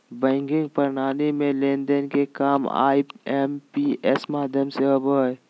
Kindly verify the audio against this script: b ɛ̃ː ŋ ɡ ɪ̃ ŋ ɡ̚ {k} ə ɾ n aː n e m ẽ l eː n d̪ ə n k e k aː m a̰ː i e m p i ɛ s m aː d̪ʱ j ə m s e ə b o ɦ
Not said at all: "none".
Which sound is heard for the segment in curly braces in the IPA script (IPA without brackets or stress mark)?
p